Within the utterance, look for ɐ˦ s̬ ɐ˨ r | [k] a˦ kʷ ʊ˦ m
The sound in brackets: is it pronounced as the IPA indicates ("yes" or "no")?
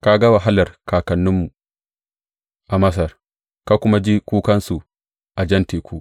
yes